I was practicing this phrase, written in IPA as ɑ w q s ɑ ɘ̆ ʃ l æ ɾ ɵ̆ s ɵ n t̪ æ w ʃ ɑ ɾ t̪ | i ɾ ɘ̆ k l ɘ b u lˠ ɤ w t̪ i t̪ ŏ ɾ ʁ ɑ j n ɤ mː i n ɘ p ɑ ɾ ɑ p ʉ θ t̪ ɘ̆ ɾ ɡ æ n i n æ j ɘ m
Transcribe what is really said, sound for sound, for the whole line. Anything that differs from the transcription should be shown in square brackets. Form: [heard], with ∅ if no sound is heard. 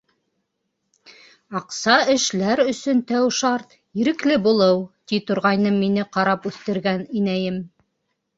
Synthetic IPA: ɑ [∅] q s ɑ ɘ̆ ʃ l æ ɾ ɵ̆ s ɵ n t̪ æ w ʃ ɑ ɾ t̪ | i ɾ ɘ̆ k l ɘ b u lˠ ɤ w t̪ i t̪ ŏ ɾ ʁ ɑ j n ɤ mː i n ɘ [q] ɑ ɾ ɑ p ʉ θ t̪ ɘ̆ ɾ ɡ æ n i n æ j ɘ m